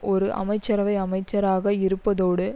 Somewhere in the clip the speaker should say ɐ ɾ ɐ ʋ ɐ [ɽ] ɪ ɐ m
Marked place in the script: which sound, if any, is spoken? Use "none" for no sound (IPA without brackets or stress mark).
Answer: none